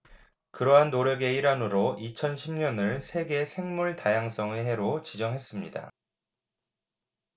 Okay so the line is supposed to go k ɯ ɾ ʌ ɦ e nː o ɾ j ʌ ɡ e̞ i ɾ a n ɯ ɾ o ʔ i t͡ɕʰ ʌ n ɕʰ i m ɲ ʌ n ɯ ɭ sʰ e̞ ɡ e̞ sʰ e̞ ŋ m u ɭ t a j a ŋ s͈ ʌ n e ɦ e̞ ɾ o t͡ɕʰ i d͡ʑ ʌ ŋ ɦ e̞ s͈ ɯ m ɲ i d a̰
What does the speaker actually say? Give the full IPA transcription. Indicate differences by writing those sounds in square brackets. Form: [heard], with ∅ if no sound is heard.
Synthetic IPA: k ɯ ɾ ʌ ɦ [a] nː o ɾ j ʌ ɡ e̞ i ɾ a n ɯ ɾ o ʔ i t͡ɕʰ ʌ n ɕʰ i m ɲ ʌ n ɯ ɭ sʰ e̞ ɡ e̞ sʰ e̞ ŋ m u ɭ t a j a ŋ s͈ ʌ [ŋ] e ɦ e̞ ɾ o [t͡ɕ] i d͡ʑ ʌ ŋ ɦ e̞ s͈ ɯ m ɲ i d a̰

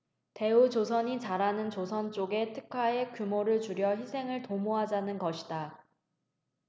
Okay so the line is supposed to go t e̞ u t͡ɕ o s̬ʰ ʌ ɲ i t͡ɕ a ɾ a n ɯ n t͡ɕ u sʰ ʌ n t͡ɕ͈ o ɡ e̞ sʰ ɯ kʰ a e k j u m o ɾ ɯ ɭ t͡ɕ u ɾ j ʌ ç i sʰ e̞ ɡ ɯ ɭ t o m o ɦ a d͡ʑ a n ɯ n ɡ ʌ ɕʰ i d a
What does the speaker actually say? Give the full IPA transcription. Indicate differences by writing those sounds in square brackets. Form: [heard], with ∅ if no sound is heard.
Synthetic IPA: t e̞ u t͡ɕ o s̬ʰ ʌ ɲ i t͡ɕ a ɾ a n ɯ n t͡ɕ [o] sʰ ʌ n t͡ɕ͈ o ɡ e̞ [tʰ] ɯ kʰ a e k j u m o ɾ ɯ ɭ t͡ɕ u ɾ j ʌ ç i sʰ e̞ [ŋ] ɯ ɭ t o m o ɦ a d͡ʑ a n ɯ n ɡ ʌ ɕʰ i d a

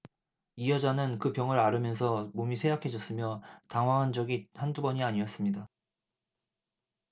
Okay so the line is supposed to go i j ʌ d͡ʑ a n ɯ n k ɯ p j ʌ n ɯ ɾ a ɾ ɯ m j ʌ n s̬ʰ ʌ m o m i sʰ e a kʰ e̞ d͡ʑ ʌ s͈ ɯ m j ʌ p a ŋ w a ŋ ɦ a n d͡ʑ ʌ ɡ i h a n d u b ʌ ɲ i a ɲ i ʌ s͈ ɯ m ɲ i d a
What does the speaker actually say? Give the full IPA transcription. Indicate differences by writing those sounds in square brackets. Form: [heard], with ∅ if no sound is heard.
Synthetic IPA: i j ʌ d͡ʑ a n ɯ n k ɯ p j ʌ [ŋ] ɯ ɾ a ɾ ɯ m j ʌ n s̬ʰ ʌ m o m i sʰ e a kʰ e̞ d͡ʑ ʌ s͈ ɯ m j ʌ [t] a ŋ w a ŋ ɦ a n d͡ʑ ʌ ɡ i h a n d u b ʌ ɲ i a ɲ i ʌ s͈ ɯ m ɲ i d a

